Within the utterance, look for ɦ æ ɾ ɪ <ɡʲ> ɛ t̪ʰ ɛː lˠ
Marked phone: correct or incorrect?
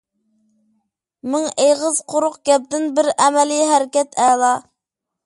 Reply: incorrect